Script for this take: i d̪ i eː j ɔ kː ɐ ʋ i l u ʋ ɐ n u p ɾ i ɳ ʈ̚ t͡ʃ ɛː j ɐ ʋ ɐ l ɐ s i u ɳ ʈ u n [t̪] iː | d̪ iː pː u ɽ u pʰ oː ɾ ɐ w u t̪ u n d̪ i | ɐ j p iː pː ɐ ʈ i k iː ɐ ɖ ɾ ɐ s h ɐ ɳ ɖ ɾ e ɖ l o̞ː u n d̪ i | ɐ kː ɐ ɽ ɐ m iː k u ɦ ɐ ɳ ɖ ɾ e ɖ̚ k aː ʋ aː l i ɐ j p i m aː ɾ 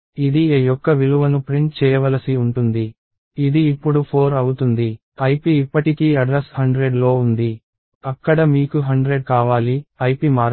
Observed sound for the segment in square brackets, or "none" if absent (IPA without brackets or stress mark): d̪